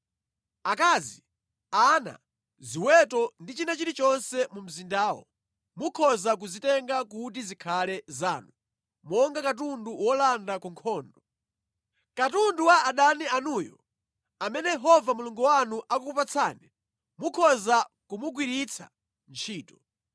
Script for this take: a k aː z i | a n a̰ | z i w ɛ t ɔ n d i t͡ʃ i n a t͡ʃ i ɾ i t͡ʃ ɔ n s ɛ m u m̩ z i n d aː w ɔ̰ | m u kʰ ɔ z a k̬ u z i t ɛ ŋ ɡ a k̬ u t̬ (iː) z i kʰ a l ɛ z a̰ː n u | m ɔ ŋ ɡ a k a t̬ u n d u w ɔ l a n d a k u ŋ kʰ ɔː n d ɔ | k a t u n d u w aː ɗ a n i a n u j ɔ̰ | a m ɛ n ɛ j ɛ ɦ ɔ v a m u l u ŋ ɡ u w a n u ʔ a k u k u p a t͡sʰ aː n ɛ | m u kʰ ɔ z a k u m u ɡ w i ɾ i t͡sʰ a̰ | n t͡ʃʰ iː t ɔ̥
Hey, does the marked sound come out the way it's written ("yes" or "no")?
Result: no